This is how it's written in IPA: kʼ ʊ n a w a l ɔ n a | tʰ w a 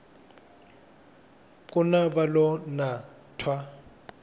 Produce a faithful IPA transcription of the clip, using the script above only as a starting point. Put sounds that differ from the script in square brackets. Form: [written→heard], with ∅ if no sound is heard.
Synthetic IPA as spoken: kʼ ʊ n a [w→b] a l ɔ n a | tʰ w a

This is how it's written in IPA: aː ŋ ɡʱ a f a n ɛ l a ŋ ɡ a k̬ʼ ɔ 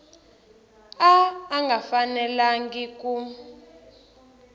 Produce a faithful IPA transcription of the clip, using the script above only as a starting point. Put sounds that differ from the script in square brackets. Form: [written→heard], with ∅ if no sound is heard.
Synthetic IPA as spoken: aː ŋ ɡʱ a f a n ɛ l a ŋ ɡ [a→i] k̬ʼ [ɔ→u]

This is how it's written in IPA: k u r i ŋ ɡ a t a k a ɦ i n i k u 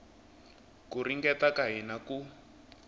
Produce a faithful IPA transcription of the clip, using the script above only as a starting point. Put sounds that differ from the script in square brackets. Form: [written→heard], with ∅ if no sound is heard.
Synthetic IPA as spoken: k u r i ŋ ɡ [a→ɛ] t a k a ɦ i n [i→a] k u

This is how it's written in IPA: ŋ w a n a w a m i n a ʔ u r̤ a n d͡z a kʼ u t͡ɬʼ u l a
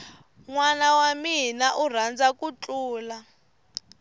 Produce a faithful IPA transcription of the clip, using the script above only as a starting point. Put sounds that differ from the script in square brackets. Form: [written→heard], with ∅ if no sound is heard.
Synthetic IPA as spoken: ŋ w a n a w a m i n a ʔ u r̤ a n d͡z a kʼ u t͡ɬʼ [u→uː] l a

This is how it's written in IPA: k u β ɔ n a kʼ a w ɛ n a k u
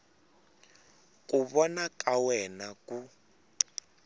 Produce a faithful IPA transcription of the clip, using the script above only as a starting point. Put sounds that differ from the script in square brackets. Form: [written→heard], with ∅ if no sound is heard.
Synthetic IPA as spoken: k u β ɔ n a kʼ a w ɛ n a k u

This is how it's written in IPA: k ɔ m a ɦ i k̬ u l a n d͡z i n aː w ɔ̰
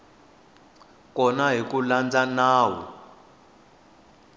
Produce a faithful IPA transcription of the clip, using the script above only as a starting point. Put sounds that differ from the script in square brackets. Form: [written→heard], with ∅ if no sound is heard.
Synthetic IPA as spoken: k ɔ [m→n] a ɦ i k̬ u l a n d͡z [i→a] n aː w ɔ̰

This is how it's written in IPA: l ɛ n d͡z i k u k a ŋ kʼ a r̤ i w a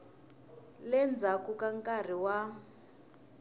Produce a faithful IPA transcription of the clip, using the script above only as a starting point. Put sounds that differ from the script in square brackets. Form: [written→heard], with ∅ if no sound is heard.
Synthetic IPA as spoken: l ɛ n d͡z [i→a] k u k a ŋ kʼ a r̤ i w a

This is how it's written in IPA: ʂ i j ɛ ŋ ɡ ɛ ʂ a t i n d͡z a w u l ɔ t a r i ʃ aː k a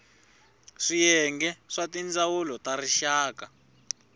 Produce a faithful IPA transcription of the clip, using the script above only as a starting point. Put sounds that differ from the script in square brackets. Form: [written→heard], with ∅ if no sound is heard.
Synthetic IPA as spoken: ʂ i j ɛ ŋ ɡ ɛ ʂ a t i n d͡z a w u l ɔ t a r i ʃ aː k a

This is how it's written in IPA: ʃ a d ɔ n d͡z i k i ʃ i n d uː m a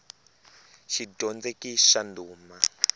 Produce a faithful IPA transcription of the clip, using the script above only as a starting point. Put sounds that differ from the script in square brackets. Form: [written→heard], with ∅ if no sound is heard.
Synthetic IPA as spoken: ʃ [a→i] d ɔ n d͡z [i→e] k i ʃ [i→a] n d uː m a

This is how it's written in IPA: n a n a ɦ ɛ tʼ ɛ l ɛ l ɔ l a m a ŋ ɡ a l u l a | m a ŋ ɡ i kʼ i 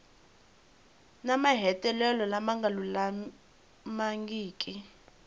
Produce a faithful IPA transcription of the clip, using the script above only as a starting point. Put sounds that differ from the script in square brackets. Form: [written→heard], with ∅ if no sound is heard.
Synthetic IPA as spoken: n a [n→m] a ɦ ɛ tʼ ɛ l ɛ l ɔ l a m a ŋ ɡ a l u l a | m a ŋ ɡ [i→iː] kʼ i

